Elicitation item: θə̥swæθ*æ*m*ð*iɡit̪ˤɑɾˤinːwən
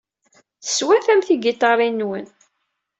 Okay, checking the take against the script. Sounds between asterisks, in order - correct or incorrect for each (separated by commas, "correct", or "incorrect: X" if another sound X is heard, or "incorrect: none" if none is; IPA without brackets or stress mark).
correct, incorrect: θ